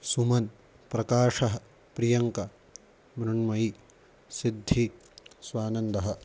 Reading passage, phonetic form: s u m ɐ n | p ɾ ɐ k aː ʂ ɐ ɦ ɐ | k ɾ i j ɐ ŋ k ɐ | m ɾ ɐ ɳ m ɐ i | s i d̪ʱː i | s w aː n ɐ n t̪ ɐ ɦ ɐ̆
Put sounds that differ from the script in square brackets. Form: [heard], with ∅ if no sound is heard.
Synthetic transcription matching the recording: s u m ɐ n | p ɾ ɐ k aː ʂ ɐ ɦ ɐ | [p] ɾ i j ɐ ŋ k ɐ | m ɾ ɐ ɳ m ɐ i | s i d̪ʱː i | s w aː n ɐ n [d̪] ɐ ɦ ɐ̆